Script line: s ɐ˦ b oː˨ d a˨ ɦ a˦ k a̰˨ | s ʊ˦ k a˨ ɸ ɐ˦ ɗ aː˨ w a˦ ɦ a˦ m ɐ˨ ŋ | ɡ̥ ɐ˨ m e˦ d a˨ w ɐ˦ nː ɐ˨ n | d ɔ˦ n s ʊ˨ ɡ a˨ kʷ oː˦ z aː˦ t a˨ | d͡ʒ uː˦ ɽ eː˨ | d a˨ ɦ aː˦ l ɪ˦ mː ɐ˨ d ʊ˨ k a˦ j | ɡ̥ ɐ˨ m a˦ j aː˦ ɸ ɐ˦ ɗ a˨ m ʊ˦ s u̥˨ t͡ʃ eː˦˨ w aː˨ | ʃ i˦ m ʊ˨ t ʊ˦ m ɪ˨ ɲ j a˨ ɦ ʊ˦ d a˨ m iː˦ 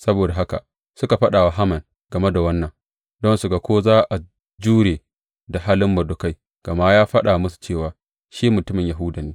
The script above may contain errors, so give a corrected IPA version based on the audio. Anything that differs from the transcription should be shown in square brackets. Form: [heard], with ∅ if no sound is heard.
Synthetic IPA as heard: s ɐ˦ b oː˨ d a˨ ɦ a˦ k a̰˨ | s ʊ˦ k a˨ ɸ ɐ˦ ɗ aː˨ w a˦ ɦ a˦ m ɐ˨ ŋ | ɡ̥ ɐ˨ m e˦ d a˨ w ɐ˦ nː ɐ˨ [ŋ] | d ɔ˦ n s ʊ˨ ɡ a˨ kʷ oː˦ z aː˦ [ʔ] a˨ | d͡ʒ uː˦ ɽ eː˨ | d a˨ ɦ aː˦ l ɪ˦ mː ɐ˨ d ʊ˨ k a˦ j | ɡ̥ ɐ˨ m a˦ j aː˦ ɸ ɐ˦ ɗ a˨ m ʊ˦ s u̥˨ t͡ʃ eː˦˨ w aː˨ | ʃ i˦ m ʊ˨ t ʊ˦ m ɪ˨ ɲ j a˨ ɦ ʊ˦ d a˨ [n] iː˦

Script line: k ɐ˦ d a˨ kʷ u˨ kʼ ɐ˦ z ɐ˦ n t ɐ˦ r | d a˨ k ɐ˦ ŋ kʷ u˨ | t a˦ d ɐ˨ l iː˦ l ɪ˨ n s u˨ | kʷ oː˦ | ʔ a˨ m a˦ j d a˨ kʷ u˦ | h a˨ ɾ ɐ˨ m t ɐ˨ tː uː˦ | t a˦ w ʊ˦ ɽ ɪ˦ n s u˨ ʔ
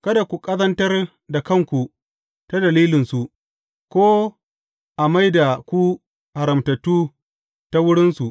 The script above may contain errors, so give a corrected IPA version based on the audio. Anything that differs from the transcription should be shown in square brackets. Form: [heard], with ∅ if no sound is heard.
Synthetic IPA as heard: k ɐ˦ d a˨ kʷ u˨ kʼ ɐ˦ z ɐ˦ n t ɐ˦ r | d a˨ k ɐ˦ ŋ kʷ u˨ | t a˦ d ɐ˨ l iː˦ l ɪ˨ n s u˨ | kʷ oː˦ | ʔ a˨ m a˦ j d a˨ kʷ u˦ | h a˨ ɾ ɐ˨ m t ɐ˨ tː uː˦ | t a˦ w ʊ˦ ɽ ɪ˦ n s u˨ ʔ

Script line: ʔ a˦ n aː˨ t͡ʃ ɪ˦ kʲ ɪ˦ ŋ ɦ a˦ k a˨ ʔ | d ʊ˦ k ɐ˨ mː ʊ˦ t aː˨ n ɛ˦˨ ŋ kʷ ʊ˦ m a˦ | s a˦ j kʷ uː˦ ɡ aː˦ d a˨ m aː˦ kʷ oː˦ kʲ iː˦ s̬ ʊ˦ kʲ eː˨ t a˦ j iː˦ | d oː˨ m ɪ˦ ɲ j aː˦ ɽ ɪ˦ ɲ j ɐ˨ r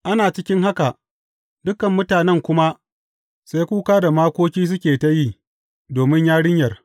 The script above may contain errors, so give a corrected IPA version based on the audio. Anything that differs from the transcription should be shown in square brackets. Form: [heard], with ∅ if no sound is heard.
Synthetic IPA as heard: ʔ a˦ n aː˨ t͡ʃ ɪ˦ kʲ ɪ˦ ŋ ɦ a˦ k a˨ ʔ | d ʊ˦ k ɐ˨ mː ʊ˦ t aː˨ n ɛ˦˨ ŋ kʷ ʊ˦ m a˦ | s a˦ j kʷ uː˦ [k] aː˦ d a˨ m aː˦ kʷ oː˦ kʲ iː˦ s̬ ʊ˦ kʲ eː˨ t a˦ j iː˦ | d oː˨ m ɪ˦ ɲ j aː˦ ɽ ɪ˦ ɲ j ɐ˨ r

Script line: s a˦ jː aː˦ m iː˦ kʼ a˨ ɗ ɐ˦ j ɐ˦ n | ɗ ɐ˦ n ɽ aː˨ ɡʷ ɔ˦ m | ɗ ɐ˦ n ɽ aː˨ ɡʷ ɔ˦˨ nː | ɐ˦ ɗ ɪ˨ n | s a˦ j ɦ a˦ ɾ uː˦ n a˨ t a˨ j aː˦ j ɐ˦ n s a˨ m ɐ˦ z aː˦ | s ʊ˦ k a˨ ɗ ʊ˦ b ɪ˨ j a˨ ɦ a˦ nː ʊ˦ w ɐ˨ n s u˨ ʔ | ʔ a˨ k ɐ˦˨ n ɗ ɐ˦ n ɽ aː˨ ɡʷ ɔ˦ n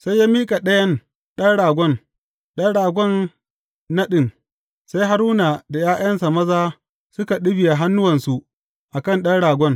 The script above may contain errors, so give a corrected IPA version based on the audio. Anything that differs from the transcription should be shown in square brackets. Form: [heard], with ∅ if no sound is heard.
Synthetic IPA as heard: s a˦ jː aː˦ m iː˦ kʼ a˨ ɗ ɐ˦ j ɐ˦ n | ɗ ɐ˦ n ɽ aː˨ ɡʷ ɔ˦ [n] | ɗ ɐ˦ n ɽ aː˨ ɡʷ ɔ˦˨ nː | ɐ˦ ɗ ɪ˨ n | s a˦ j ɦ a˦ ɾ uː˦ n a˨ [d] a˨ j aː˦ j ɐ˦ n s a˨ m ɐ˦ z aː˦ | s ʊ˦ k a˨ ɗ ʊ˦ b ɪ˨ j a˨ ɦ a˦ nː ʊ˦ w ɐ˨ n s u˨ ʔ | ʔ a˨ k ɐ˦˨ n ɗ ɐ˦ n ɽ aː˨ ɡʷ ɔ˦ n

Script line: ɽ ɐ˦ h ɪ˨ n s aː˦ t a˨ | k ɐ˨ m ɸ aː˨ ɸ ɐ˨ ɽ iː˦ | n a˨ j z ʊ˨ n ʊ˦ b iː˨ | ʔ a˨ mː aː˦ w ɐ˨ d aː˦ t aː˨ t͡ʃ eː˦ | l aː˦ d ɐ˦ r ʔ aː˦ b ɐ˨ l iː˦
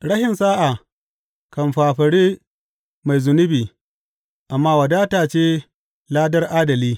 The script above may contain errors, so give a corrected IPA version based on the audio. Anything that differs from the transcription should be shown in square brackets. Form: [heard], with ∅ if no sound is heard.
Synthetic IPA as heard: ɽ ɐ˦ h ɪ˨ n s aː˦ [ʔ] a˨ | k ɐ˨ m ɸ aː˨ ɸ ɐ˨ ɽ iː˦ | [m] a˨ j z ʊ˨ n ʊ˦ b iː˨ | ʔ a˨ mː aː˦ w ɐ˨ d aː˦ t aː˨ t͡ʃ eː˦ | l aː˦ d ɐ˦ r ʔ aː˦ [d] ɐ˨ l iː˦

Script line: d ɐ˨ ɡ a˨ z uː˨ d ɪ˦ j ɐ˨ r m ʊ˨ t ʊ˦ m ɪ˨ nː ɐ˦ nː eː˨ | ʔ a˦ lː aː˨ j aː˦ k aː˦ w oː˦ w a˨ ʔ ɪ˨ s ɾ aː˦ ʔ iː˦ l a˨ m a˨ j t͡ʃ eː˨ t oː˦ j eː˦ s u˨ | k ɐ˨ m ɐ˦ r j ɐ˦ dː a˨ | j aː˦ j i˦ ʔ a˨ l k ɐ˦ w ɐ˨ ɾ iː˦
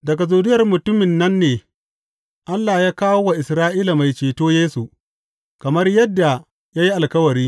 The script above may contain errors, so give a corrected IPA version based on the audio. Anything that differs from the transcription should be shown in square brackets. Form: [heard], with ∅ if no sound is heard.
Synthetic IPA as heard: d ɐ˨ ɡ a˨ z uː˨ d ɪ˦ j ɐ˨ r m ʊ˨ t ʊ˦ m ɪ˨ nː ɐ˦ nː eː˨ | ʔ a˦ lː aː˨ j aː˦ k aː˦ w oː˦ w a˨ ʔ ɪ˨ s ɾ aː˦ ʔ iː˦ l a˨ m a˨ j t͡ʃ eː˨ t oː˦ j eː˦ s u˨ | k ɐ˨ m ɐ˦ r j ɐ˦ dː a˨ | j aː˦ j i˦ ʔ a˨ l k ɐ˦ w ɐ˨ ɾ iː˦

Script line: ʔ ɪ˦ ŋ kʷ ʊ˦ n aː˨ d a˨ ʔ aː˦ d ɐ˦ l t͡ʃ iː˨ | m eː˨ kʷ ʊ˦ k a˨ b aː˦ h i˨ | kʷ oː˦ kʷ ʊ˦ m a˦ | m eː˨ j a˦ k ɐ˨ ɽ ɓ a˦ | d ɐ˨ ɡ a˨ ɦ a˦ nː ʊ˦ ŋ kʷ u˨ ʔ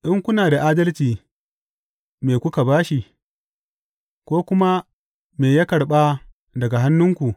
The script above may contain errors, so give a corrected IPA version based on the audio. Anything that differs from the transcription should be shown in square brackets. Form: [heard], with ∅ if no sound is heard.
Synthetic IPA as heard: ʔ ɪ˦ ŋ kʷ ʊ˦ n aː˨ d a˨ ʔ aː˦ d ɐ˦ l t͡ʃ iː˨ | m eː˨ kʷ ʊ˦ k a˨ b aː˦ [ʃ] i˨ | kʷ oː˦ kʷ ʊ˦ m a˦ | m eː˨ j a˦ k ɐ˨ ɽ ɓ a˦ | d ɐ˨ ɡ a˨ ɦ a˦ nː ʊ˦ ŋ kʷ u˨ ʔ

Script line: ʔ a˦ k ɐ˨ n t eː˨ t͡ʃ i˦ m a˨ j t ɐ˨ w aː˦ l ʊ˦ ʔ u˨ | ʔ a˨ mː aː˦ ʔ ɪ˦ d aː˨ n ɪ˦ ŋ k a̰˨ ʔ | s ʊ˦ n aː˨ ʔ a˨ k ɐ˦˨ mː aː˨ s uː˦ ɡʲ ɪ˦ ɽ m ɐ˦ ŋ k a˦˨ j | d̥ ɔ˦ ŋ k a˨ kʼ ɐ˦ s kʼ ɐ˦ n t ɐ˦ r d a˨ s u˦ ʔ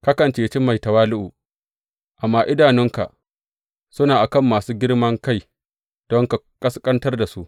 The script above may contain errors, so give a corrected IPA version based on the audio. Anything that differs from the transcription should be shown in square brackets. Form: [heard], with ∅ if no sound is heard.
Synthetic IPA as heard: [k] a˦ k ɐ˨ n [t͡ʃ] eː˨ t͡ʃ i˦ m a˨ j t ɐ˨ w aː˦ l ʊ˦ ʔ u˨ | ʔ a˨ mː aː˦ ʔ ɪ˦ d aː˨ n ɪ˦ ŋ k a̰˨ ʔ | s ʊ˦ n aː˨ ʔ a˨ k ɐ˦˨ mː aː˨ s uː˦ ɡʲ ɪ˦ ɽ m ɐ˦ ŋ k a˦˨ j | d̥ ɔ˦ ŋ k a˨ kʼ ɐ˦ s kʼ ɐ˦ n t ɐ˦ r d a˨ s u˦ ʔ

